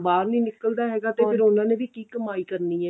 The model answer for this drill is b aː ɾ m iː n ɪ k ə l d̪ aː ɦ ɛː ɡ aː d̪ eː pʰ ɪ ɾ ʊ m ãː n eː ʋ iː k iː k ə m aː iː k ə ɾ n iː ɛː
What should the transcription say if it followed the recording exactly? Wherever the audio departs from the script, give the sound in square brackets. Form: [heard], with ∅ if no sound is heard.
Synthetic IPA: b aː ɾ [n] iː n ɪ k ə l d̪ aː ɦ ɛː ɡ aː [t̪] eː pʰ ɪ ɾ ʊ [n] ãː n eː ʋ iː k iː k ə m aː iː k ə ɾ n iː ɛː